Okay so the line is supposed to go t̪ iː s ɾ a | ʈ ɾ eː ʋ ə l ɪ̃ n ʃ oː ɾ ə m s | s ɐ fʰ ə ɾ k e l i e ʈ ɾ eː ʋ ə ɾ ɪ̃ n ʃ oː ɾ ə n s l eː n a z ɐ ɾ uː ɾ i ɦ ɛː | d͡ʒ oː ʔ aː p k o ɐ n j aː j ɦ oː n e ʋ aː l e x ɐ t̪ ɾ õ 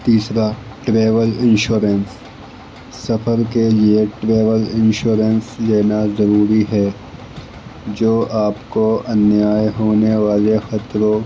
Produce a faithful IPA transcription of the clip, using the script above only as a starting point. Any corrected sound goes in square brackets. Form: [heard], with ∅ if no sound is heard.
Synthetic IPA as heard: t̪ iː s ɾ a | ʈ ɾ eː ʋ ə l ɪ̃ n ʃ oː ɾ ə [n] s | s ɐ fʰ ə ɾ k e l i e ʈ ɾ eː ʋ ə [l] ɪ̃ n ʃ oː ɾ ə n s l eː n a z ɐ ɾ uː ɾ i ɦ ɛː | d͡ʒ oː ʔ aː p k o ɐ n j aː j ɦ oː n e ʋ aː l e x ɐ t̪ ɾ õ